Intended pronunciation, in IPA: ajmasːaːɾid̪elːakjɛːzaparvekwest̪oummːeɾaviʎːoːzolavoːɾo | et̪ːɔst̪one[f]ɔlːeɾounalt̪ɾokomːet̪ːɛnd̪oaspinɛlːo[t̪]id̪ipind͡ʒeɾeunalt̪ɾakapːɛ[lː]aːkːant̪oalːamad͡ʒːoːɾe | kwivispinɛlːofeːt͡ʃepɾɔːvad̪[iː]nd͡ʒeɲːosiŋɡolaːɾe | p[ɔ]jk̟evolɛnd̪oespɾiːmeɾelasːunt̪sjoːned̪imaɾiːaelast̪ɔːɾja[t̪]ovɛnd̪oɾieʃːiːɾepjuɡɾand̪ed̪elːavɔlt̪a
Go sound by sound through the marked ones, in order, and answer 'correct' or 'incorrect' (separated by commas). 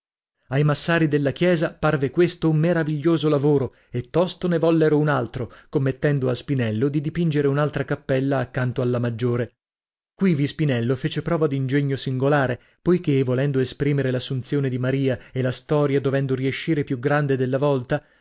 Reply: incorrect, incorrect, correct, incorrect, incorrect, incorrect